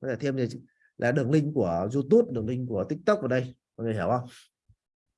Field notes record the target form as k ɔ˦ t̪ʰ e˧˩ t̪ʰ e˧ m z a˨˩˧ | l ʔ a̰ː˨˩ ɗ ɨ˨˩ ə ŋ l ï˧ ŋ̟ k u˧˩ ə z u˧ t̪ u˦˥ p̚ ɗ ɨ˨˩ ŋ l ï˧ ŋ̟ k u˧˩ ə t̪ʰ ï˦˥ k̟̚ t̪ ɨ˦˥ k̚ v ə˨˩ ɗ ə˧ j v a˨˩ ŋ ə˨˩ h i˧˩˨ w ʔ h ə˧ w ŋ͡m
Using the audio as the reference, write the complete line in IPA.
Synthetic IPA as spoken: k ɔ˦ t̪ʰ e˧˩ t̪ʰ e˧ m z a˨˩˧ | l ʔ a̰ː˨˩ ɗ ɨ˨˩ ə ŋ l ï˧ ŋ̟ k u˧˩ ə z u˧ t̪ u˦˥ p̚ ɗ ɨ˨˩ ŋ l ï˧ ŋ̟ k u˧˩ ə t̪ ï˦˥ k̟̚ t̪ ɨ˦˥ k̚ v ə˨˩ ɗ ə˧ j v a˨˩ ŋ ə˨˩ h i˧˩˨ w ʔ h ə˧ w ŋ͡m